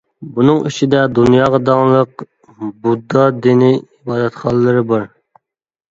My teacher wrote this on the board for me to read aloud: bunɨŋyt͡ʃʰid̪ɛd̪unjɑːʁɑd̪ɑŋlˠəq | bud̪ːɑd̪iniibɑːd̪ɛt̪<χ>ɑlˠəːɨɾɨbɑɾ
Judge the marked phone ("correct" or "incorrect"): correct